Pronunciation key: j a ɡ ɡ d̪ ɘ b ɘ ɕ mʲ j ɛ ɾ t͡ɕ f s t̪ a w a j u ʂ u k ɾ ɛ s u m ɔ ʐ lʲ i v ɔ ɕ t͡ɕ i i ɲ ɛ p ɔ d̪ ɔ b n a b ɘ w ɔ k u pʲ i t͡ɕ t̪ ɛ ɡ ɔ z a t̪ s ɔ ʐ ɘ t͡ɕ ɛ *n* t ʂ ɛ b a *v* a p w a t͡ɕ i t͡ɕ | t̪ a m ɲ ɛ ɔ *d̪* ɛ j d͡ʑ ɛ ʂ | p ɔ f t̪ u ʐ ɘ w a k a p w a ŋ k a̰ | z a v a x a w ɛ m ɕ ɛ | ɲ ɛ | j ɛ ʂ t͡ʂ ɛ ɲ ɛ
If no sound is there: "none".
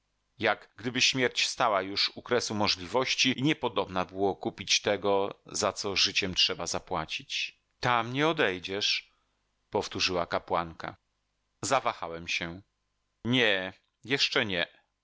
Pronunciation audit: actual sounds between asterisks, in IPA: m, z, d̪

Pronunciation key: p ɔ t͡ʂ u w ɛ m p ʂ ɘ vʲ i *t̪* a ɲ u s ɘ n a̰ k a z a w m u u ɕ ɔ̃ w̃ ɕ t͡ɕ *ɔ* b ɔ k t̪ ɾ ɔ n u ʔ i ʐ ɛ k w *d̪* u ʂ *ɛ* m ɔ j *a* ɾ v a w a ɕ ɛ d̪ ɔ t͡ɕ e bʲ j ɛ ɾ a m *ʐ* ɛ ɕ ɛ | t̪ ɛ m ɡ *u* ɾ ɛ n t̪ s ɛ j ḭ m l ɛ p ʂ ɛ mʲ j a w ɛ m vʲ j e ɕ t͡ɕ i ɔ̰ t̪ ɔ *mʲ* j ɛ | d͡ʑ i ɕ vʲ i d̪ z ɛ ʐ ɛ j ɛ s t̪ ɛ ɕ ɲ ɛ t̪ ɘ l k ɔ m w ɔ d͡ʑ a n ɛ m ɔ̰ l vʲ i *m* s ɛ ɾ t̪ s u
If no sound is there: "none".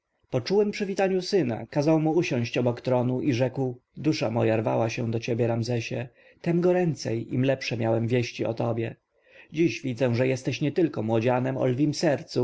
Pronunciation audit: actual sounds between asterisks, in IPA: t̪, ɔ, d̪, a, a, z, ɔ, bʲ, m

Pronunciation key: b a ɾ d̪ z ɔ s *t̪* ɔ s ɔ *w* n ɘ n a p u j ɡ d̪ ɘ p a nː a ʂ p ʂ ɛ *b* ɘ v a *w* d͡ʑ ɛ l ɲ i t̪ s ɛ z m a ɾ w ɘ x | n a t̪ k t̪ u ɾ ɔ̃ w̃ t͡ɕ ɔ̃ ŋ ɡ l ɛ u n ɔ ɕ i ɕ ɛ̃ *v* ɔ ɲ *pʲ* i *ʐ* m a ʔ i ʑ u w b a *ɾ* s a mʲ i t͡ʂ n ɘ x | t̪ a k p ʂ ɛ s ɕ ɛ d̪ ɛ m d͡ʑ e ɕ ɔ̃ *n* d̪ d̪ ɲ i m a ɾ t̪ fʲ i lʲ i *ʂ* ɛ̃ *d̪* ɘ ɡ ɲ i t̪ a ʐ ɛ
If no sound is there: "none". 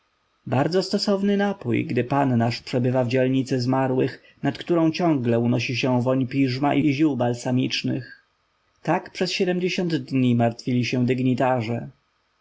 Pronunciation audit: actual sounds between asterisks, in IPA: t̪, v, b, v, v, pʲ, ʐ, l, n, ɕ, d̪

